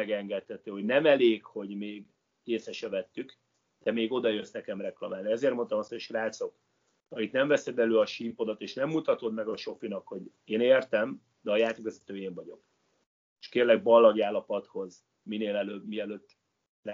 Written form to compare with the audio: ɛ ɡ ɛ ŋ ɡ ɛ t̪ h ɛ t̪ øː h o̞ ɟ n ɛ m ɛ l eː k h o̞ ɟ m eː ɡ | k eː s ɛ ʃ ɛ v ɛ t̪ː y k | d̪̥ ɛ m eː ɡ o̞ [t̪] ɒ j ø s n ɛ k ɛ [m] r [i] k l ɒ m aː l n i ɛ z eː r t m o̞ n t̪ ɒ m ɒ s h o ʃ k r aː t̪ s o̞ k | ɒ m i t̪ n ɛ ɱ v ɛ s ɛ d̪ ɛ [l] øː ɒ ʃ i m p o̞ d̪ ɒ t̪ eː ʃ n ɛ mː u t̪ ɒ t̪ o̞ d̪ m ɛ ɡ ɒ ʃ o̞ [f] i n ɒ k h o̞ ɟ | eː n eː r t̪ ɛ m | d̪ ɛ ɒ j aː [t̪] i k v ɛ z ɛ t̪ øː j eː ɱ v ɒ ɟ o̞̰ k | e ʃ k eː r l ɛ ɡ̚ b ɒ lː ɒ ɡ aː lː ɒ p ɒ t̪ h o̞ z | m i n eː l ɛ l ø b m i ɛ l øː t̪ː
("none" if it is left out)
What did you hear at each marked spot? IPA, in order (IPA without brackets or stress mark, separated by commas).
d̪, m, ɛ, l, f, t̪